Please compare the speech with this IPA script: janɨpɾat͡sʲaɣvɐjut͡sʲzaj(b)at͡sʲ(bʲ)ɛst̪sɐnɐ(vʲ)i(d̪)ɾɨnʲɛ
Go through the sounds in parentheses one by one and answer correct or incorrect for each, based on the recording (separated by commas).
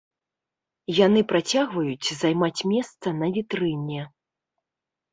incorrect, incorrect, correct, incorrect